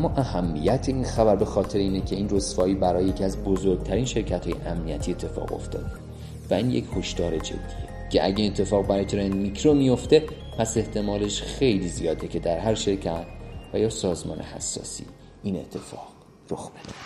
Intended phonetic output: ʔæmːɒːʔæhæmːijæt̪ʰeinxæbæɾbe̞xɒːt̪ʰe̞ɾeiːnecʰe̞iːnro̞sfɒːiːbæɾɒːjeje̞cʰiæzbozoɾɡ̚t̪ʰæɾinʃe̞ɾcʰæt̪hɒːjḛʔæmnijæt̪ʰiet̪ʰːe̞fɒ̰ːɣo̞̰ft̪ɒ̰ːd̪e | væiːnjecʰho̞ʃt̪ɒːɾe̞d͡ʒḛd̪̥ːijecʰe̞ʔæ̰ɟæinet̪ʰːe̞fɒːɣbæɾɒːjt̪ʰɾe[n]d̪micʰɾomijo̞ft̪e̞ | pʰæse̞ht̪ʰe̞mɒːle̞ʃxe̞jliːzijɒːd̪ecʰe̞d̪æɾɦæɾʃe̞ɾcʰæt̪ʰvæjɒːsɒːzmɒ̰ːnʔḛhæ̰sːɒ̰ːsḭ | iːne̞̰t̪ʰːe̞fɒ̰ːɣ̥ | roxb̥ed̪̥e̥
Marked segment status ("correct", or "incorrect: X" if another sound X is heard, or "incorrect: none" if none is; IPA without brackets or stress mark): correct